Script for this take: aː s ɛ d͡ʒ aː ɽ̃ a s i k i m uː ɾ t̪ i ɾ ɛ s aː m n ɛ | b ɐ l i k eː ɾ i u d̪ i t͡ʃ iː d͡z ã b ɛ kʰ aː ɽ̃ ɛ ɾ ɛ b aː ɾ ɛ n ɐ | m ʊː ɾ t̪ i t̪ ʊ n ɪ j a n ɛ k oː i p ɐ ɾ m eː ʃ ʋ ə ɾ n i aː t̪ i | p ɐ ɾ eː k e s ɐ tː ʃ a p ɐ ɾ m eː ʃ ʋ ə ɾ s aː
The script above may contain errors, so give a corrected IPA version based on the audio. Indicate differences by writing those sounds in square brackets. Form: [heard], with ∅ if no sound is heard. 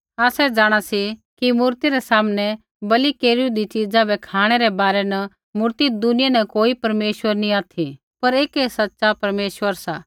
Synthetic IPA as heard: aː s ɛ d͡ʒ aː ɽ̃ a s i k i m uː ɾ t̪ i ɾ ɛ s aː m n ɛ | b ɐ l i k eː ɾ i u d̪ i t͡ʃ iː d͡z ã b ɛ kʰ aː ɽ̃ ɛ ɾ ɛ b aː ɾ ɛ n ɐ | m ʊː ɾ t̪ i [d̪] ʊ n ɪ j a n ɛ k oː i p ɐ ɾ m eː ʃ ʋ ə ɾ n i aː [t̪ʰ] i | p ɐ ɾ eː k e s ɐ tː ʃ a p ɐ ɾ m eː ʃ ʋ ə ɾ s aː